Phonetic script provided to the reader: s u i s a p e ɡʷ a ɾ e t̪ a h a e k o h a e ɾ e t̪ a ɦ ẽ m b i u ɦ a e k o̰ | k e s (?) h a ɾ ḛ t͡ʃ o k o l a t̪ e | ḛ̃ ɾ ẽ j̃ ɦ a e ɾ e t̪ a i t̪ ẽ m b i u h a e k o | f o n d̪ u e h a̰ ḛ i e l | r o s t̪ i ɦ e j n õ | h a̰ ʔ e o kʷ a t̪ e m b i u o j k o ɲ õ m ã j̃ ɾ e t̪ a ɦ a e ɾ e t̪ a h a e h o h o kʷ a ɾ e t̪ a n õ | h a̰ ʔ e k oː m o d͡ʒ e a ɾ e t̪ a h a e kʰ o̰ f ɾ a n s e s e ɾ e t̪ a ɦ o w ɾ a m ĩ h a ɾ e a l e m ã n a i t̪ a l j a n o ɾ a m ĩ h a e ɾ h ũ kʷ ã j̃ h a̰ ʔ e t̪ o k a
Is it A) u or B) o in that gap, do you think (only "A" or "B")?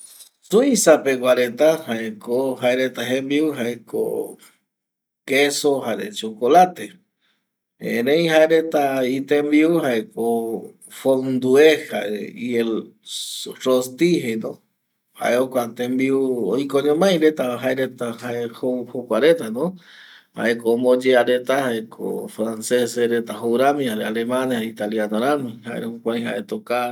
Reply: B